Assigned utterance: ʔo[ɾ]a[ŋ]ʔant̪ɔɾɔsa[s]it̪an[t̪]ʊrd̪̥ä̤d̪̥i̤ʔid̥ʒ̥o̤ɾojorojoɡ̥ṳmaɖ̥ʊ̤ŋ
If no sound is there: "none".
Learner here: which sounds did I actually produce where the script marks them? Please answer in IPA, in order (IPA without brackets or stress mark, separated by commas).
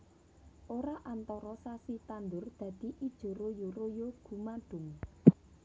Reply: ɾ, none, s, d̪